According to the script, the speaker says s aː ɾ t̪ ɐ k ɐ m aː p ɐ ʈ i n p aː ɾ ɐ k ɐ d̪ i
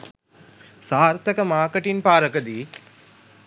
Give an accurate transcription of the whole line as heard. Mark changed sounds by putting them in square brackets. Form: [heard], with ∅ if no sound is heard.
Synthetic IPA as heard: s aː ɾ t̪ ɐ k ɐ m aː [k] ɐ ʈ i n p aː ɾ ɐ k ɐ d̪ i